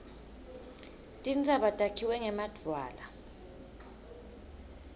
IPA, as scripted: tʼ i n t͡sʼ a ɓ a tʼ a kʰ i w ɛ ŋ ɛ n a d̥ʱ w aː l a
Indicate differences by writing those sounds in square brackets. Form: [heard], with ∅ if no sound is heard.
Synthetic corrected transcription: tʼ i n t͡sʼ a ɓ a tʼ a kʰ i w ɛ ŋ ɛ [m] a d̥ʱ w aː l a